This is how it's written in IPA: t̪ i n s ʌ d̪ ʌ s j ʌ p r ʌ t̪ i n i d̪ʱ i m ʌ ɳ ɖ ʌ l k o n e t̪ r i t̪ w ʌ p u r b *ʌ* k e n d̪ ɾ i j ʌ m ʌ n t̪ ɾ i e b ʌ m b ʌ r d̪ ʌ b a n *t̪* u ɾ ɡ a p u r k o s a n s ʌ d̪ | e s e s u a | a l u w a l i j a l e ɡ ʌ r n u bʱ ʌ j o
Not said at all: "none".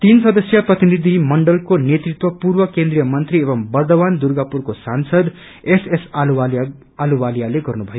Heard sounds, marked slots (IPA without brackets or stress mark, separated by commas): ʌ, d̪